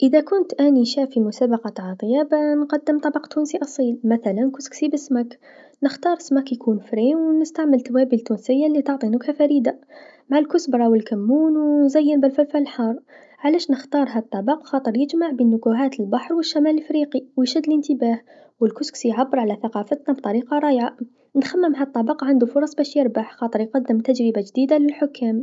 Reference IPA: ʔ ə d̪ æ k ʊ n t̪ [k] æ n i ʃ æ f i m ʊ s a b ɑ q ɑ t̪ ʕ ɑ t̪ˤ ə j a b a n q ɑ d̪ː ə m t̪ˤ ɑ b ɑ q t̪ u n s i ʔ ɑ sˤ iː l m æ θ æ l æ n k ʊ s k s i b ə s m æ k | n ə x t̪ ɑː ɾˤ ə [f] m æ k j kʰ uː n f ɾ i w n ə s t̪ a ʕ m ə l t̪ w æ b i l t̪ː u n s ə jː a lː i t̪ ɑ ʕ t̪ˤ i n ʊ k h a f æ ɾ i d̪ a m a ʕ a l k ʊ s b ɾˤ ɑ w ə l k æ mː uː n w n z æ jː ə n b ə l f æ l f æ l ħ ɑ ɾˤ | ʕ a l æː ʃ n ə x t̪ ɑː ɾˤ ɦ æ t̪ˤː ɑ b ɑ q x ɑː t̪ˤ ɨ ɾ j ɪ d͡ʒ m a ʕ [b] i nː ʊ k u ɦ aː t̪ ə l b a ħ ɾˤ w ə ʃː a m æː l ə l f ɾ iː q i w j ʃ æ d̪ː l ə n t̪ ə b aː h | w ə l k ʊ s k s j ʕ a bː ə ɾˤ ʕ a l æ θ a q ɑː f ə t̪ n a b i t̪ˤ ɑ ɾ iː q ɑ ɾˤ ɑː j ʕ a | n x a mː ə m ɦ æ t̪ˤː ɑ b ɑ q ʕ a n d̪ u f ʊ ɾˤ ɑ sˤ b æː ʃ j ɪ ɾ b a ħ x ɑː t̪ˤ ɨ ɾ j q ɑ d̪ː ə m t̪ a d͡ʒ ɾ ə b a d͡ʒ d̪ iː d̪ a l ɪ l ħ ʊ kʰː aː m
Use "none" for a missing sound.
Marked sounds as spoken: ʔ, s, b

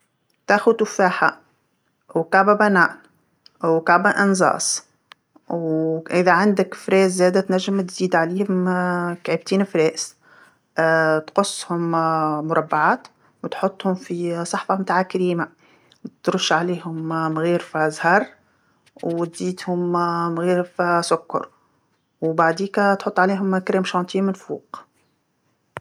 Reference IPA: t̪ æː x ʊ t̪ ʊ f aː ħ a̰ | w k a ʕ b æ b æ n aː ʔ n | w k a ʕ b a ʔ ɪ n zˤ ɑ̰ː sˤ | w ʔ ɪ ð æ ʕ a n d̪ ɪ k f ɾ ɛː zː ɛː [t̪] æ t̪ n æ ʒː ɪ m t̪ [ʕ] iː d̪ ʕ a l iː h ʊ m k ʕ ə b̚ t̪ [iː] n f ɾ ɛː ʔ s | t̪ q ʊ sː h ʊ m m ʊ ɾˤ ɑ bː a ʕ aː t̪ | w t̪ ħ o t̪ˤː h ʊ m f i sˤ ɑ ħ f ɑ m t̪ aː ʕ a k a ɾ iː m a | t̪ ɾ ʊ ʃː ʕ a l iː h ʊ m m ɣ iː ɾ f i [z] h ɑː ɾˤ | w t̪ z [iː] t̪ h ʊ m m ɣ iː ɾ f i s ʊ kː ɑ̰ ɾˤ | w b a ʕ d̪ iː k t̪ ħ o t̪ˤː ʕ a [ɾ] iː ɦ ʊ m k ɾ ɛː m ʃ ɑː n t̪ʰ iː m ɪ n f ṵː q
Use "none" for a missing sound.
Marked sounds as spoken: d̪, z, iː, z, iː, l

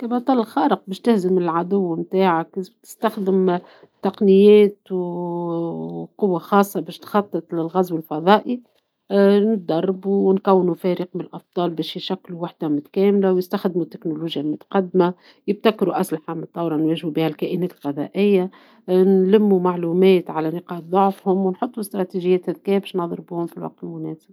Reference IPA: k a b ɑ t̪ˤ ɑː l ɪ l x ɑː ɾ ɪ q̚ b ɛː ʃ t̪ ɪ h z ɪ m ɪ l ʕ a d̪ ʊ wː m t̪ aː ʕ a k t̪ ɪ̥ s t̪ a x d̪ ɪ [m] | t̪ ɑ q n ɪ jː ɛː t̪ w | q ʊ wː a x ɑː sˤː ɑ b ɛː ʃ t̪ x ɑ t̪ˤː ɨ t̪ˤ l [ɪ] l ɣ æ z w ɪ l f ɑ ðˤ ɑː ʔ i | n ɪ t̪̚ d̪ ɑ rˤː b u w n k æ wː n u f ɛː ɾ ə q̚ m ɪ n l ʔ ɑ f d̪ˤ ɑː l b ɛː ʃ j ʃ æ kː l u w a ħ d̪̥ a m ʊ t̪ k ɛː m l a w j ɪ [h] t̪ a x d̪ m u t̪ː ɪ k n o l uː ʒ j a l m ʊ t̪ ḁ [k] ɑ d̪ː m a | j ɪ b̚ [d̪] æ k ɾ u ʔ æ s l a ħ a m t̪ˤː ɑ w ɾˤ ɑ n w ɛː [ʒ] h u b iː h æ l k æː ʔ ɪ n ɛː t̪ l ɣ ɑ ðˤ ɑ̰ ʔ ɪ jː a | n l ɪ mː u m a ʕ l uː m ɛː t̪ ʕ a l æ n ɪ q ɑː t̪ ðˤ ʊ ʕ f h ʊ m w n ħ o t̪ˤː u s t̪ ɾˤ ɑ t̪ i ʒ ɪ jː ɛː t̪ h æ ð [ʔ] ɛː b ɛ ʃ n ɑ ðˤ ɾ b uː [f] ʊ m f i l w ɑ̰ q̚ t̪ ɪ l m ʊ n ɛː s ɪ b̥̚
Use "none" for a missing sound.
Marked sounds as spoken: m, ɪ, s, q, t̪, ʒ, k, h

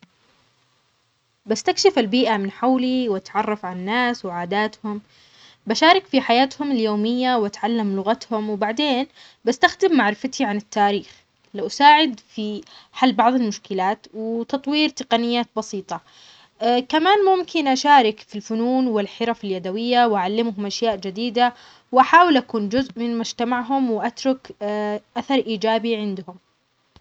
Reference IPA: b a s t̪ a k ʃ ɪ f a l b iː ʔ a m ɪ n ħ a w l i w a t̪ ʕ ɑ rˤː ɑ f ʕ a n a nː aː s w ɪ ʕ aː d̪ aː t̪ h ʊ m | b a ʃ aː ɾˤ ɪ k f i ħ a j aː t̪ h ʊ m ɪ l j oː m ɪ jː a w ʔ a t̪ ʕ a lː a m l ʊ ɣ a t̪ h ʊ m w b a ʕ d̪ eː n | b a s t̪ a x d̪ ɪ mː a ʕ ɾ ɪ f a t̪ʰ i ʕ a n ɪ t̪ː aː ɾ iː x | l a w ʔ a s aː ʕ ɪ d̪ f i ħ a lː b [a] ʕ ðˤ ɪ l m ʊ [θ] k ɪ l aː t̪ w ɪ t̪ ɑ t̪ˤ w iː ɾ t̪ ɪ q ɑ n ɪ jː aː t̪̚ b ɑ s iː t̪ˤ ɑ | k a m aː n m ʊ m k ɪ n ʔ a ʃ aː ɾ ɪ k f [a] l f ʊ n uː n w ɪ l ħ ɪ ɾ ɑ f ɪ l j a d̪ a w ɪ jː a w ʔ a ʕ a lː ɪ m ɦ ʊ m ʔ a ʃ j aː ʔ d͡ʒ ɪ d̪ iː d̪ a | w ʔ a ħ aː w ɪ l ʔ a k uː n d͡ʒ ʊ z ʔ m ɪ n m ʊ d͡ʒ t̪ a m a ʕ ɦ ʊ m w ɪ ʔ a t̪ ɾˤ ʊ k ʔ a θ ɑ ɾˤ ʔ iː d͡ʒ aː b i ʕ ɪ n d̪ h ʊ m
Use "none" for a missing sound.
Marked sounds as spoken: ɑ, ʃ, i

